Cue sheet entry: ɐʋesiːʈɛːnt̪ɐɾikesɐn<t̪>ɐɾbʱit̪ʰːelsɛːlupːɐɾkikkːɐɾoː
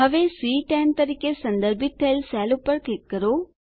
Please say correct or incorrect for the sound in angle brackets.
incorrect